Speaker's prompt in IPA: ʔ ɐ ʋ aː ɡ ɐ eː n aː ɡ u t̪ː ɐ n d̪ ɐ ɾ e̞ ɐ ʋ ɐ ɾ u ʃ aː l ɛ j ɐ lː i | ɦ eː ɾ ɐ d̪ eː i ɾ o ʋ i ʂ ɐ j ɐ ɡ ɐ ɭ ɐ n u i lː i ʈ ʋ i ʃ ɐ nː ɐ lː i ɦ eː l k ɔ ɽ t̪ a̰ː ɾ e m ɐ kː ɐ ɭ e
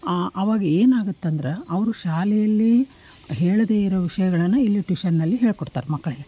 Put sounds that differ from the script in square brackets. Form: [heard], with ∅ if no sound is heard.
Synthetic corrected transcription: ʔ ɐ ʋ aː ɡ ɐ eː n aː ɡ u t̪ː ɐ n d̪ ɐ ɾ e̞ ɐ ʋ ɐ ɾ u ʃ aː l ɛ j ɐ lː i | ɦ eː [ɭ] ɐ d̪ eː i ɾ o ʋ i ʂ ɐ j ɐ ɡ ɐ ɭ ɐ [nː] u i lː i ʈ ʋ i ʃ ɐ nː ɐ lː i ɦ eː [ɭ] k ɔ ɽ t̪ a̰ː ɾ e m ɐ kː ɐ ɭ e

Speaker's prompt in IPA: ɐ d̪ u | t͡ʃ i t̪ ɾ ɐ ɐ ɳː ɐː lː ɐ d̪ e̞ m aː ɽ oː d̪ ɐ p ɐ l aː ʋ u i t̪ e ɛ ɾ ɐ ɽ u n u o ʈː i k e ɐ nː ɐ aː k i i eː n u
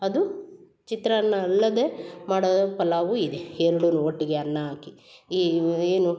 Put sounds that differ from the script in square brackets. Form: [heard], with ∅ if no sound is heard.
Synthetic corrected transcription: ɐ d̪ u | t͡ʃ i t̪ ɾ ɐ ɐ [nː] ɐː lː ɐ d̪ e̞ m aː ɽ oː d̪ ɐ p ɐ l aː ʋ u i [d̪] e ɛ ɾ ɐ ɽ u n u o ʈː i [ɡ] e ɐ nː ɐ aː k i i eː n u

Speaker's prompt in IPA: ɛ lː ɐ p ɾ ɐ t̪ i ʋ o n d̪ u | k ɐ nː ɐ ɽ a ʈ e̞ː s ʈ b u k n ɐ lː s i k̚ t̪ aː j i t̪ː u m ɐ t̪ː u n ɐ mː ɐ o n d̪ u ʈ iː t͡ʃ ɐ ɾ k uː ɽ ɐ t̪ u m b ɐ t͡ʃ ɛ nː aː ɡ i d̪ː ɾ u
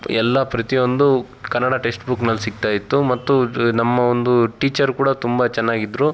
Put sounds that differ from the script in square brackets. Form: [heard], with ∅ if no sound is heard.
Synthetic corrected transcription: ɛ lː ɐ p ɾ ɐ t̪ i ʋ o n d̪ u | k ɐ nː ɐ ɽ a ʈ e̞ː s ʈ b u k n ɐ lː s i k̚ t̪ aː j i t̪ː u m ɐ t̪ː u n ɐ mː ɐ o n d̪ u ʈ iː t͡ʃ ɐ ɾ k uː ɽ ɐ t̪ u m b ɐ t͡ʃ ɛ nː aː ɡ i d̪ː ɾ u

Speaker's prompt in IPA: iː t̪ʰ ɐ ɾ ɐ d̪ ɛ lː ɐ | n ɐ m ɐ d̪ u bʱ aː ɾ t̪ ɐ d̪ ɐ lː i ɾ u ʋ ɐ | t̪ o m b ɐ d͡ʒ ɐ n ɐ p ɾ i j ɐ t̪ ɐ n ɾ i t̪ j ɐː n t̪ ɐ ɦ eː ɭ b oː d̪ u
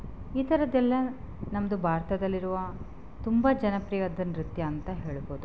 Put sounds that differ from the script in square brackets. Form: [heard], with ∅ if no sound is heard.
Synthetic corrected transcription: iː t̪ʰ ɐ ɾ ɐ d̪ ɛ lː ɐ | n ɐ m ɐ d̪ u bʱ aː ɾ t̪ ɐ d̪ ɐ lː i ɾ u ʋ ɐ | t̪ [u] m b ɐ d͡ʒ ɐ n ɐ p ɾ i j ɐ [d̪] ɐ n ɾ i t̪ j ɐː n t̪ ɐ ɦ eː ɭ b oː d̪ u

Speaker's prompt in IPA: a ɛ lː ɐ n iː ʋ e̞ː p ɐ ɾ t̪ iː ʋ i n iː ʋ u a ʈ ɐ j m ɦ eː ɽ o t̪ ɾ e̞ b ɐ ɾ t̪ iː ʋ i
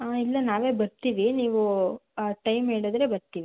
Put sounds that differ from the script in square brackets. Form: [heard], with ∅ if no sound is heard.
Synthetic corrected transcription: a [i] lː ɐ n [aː] ʋ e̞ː [b] ɐ ɾ t̪ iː ʋ i n iː ʋ u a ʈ ɐ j m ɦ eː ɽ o [d̪] ɾ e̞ b ɐ ɾ t̪ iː ʋ i

